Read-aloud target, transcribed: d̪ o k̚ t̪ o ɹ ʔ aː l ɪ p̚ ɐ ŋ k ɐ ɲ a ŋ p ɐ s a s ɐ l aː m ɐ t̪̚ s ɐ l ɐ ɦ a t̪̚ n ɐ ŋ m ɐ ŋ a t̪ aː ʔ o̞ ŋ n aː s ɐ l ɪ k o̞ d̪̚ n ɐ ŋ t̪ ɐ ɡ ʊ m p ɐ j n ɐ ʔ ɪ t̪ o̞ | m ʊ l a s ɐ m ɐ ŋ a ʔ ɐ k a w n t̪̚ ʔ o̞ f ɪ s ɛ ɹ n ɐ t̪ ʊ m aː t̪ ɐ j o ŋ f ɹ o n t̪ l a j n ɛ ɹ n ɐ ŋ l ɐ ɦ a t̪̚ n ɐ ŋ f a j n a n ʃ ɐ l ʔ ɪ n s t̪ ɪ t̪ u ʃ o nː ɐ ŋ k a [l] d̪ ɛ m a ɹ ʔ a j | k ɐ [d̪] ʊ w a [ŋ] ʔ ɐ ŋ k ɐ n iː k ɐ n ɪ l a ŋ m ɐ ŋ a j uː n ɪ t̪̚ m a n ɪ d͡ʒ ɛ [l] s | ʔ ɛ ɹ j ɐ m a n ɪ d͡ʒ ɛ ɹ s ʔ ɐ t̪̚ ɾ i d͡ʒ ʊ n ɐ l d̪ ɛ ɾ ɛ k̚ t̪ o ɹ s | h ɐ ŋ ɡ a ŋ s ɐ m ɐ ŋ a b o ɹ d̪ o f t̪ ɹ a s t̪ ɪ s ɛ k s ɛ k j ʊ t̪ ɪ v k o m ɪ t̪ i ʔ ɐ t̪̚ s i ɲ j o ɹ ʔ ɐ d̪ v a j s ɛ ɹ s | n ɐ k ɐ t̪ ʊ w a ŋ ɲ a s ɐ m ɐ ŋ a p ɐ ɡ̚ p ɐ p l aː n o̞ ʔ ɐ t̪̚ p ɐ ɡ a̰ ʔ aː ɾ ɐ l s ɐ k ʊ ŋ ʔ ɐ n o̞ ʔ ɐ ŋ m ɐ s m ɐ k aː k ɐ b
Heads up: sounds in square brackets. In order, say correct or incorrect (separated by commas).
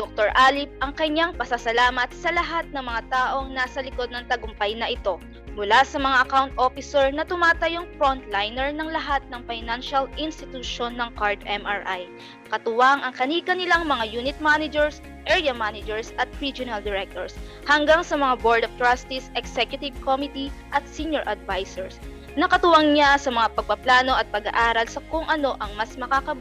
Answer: incorrect, incorrect, correct, incorrect